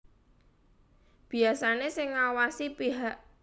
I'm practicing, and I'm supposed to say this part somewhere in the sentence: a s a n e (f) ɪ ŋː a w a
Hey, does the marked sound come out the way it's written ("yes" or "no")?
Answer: no